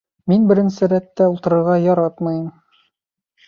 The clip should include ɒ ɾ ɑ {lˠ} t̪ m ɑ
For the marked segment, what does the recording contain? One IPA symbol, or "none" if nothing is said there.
none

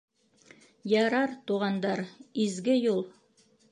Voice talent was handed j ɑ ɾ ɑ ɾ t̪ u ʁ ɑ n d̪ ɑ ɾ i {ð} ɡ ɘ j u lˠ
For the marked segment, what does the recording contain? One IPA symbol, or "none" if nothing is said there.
z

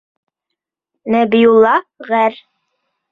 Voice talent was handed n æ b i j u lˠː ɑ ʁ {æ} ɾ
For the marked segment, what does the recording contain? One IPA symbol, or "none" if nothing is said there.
æ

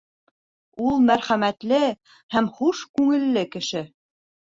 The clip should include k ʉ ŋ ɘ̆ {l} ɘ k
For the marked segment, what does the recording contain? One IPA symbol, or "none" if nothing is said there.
lː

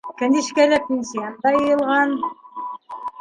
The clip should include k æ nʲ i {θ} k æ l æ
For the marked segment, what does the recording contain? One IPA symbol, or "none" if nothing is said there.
ʃ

